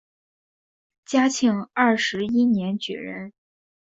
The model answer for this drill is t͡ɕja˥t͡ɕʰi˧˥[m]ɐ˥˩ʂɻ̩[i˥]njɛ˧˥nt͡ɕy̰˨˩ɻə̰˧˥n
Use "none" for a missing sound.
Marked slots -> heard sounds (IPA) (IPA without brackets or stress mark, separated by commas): ŋ, i˥